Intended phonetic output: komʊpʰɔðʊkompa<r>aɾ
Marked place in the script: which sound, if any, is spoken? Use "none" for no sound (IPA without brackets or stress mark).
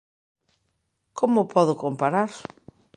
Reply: ɾ